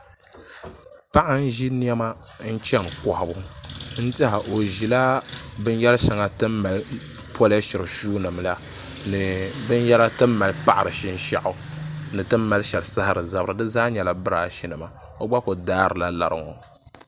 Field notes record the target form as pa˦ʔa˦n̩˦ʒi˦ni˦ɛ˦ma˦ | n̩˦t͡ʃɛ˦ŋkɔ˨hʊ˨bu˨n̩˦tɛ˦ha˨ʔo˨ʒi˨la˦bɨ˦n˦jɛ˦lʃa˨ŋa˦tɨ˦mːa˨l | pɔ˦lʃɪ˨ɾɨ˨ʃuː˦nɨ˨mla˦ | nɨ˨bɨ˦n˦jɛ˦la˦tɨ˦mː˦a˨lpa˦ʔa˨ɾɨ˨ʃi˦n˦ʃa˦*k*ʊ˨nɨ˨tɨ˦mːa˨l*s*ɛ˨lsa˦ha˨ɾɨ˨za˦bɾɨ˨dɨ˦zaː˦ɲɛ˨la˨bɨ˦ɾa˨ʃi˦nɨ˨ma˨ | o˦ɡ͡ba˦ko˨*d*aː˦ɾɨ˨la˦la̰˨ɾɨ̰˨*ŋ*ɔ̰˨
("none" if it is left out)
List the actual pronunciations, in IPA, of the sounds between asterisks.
ʔ, ʃ, d, ŋ

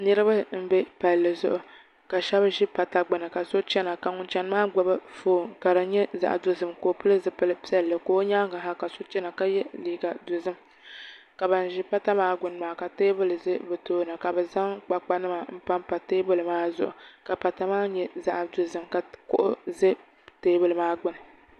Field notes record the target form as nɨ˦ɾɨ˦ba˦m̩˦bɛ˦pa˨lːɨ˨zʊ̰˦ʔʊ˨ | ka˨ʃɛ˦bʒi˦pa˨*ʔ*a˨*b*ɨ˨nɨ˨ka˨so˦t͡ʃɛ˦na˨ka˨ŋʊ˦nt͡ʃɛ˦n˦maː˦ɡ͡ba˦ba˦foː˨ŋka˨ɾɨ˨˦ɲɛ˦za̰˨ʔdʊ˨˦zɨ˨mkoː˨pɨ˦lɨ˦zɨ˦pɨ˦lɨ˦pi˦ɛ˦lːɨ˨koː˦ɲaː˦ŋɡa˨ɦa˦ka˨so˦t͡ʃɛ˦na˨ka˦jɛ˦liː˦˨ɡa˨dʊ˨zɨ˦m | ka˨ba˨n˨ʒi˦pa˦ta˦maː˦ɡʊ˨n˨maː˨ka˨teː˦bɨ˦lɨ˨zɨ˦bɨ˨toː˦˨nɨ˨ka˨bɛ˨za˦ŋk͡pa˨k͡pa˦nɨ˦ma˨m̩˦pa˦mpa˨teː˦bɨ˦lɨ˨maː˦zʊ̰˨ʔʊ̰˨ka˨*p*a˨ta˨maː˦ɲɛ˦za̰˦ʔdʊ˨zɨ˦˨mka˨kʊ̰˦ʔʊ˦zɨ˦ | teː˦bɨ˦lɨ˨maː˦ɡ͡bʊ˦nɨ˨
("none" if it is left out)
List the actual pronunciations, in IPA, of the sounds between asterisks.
t, ɡ͡b, p

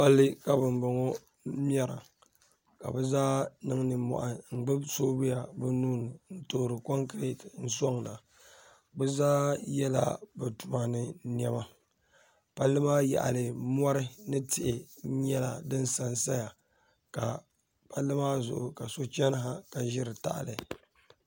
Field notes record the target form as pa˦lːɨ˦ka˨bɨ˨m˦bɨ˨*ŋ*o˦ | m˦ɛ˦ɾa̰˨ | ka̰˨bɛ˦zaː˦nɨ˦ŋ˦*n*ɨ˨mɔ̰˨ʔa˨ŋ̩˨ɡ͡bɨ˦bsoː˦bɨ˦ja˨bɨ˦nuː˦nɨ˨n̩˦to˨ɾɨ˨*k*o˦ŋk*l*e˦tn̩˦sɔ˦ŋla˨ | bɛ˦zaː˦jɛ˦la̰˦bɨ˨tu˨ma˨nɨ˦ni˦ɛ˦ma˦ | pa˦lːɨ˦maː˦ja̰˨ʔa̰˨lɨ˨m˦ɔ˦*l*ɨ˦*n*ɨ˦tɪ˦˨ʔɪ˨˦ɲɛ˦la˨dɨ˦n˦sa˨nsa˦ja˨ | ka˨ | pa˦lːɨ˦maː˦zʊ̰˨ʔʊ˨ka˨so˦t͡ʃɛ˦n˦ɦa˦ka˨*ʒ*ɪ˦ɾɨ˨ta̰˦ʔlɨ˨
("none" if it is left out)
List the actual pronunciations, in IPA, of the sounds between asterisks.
ŋ, n, k, ɾ, ɾ, n, ʒ

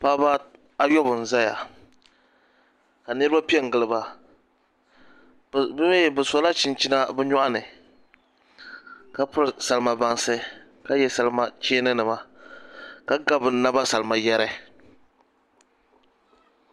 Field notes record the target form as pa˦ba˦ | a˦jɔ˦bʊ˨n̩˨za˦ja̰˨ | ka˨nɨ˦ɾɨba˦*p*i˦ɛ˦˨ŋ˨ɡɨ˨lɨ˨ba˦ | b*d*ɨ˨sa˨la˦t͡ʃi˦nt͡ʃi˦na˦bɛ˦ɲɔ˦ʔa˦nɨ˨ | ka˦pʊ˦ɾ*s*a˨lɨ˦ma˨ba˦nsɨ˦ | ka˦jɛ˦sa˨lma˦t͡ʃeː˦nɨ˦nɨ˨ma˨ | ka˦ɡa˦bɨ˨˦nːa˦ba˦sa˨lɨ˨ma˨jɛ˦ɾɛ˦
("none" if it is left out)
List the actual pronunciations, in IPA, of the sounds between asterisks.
p, b, s

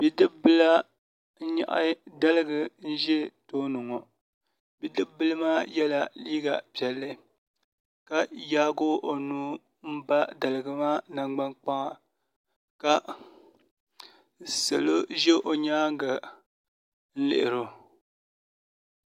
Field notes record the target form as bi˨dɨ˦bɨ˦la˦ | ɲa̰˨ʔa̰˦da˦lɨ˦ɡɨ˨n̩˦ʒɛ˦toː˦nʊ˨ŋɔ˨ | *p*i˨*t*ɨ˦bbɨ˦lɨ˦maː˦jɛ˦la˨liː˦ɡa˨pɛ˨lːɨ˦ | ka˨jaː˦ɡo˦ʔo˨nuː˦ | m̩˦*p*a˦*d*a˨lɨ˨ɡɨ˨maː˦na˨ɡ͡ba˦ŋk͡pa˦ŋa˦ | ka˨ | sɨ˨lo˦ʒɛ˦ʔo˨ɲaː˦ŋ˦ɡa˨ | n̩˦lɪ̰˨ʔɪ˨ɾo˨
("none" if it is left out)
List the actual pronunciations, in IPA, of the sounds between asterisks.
b, d, b, d

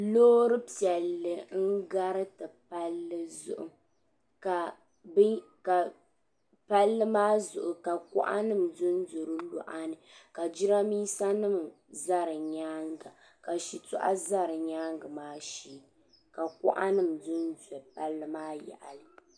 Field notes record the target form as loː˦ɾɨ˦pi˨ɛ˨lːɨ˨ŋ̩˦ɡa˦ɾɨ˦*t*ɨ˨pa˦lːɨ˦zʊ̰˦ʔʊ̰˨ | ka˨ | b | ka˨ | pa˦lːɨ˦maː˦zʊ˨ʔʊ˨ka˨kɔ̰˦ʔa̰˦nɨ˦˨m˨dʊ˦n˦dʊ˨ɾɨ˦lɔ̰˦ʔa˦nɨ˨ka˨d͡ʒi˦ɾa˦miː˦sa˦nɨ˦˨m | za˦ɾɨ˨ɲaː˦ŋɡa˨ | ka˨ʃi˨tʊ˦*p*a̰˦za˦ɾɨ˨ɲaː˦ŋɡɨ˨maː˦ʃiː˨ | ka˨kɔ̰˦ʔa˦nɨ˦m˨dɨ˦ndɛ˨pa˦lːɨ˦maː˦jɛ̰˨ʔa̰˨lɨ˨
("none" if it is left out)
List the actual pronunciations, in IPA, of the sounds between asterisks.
t, ʔ

